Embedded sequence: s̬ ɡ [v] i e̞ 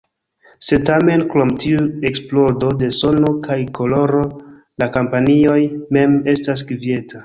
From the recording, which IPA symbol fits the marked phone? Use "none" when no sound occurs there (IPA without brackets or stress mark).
v